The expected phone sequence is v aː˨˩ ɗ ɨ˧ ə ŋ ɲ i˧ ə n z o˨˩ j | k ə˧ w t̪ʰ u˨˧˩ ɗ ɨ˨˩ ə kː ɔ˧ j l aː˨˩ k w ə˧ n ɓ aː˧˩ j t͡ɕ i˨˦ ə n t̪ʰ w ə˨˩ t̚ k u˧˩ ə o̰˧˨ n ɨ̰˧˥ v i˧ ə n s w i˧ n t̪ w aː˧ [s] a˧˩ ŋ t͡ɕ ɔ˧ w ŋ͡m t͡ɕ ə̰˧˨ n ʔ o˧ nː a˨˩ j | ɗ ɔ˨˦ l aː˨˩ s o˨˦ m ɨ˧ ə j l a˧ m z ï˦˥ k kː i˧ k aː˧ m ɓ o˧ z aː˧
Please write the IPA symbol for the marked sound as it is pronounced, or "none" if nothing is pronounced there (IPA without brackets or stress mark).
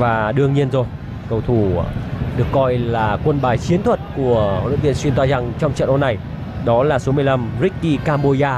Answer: z